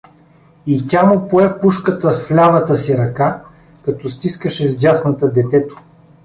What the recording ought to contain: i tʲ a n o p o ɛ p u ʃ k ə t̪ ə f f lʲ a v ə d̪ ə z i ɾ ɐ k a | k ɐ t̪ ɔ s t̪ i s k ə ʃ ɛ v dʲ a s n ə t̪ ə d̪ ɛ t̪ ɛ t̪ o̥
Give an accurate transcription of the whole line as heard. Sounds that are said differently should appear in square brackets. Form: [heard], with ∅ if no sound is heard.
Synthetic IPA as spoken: i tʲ a [m] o p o ɛ p u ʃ k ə t̪ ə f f lʲ a v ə [t̪] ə [s] i ɾ ɐ k a | k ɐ t̪ ɔ s t̪ i s k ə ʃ ɛ [z] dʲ a s n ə t̪ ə d̪ ɛ t̪ ɛ t̪ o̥